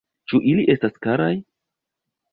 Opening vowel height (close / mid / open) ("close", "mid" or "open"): close